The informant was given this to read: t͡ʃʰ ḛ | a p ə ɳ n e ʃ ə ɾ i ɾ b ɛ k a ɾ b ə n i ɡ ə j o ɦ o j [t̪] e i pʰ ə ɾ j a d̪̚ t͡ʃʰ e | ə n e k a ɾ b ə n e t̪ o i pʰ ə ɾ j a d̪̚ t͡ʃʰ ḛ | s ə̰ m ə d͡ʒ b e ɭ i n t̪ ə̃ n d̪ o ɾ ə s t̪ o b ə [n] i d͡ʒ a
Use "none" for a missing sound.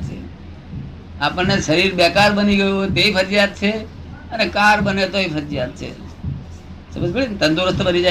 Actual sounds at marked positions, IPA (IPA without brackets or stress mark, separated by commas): t̪, n